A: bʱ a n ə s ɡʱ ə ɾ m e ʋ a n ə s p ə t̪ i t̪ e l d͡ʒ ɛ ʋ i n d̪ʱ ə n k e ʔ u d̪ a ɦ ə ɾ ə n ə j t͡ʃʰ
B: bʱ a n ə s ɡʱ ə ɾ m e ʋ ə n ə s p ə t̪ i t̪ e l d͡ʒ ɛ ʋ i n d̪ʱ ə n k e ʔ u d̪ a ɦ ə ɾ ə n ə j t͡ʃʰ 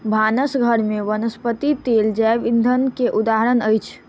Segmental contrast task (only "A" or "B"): B